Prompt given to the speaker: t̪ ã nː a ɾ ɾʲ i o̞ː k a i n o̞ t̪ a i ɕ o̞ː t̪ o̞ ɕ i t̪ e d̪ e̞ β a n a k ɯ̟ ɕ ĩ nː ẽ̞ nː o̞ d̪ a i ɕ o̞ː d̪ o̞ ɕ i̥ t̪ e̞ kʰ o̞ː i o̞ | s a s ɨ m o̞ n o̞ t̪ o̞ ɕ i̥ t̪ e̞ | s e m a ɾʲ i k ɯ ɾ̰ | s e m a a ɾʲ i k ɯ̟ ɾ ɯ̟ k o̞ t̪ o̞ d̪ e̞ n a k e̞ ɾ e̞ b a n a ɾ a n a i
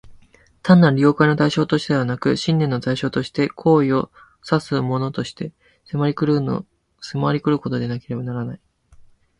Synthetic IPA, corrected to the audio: t̪ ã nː a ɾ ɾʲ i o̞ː k a i n o̞ t̪ a i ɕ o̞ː t̪ o̞ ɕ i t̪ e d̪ e̞ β a n a k ɯ̟ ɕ ĩ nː ẽ̞ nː o̞ t̪ a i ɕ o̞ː t̪ o̞ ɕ i̥ t̪ e̞ kʰ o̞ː i o̞ | s a s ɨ m o̞ n o̞ t̪ o̞ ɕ i̥ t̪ e̞ | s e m a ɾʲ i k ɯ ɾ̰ | s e m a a ɾʲ i k ɯ̟ ɾ ɯ̟ k o̞ t̪ o̞ d̪ e̞ n a k e̞ ɾ e̞ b a n a ɾ a n a i